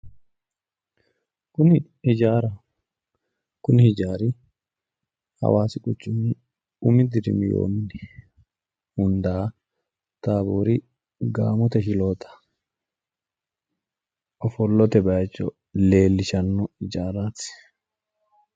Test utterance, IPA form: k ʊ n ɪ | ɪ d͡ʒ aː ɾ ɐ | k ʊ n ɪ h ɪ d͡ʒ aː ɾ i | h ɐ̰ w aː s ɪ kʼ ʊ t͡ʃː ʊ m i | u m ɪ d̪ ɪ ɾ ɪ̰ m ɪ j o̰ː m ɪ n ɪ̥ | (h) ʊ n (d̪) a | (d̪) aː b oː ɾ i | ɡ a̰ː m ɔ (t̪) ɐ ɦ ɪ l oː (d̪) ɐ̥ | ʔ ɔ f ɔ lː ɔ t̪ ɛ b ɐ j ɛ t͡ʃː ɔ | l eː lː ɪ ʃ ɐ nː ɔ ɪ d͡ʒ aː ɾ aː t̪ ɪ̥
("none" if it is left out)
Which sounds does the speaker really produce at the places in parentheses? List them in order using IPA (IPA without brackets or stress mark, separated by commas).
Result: h, d̪, t̪, t̪, t̪